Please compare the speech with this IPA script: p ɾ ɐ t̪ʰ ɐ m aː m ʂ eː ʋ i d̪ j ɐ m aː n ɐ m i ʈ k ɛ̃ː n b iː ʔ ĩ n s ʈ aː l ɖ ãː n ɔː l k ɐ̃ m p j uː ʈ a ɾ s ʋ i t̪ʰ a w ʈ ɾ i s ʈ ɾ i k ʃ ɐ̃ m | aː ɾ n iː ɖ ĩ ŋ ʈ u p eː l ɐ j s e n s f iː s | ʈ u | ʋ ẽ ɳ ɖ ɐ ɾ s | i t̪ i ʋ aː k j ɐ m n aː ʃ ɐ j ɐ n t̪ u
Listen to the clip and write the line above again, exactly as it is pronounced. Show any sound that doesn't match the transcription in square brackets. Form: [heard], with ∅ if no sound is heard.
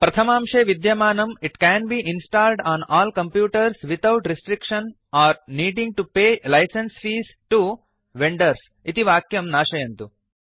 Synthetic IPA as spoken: p ɾ ɐ t̪ʰ ɐ m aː m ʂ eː ʋ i d̪ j ɐ m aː n ɐ m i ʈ k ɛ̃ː n b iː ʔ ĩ n s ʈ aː l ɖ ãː n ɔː l k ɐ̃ m p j uː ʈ [ɐ] ɾ s ʋ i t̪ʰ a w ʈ ɾ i s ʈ ɾ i k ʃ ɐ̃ [n] | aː ɾ n iː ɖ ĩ ŋ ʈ u p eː l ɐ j s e n s f iː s | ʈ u | ʋ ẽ ɳ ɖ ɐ ɾ s | i t̪ i ʋ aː k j ɐ m n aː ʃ ɐ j ɐ n t̪ u